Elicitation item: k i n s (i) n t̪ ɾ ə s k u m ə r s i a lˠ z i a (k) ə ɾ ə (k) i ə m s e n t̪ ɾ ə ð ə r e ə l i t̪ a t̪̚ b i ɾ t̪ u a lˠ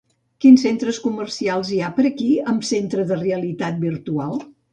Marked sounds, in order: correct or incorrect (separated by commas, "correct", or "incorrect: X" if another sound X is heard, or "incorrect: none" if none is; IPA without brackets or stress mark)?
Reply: incorrect: e, incorrect: p, correct